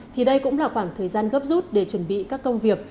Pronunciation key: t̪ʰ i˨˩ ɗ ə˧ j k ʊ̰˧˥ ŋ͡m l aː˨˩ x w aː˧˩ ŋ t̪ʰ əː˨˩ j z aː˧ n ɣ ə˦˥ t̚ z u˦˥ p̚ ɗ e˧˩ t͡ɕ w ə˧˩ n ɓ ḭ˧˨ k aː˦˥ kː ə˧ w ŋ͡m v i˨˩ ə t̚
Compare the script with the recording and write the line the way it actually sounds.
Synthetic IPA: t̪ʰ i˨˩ ɗ ə˧ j k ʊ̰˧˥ ŋ͡m l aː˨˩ x w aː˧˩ ŋ t̪ʰ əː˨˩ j z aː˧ n ɣ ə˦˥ p̚ z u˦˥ t̚ ɗ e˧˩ t͡ɕ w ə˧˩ n ɓ ḭ˧˨ k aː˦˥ kː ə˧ w ŋ͡m v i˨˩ ə k̚